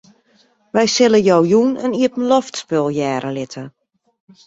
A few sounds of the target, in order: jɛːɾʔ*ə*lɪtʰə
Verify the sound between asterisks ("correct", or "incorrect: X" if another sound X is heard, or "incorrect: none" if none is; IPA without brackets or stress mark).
correct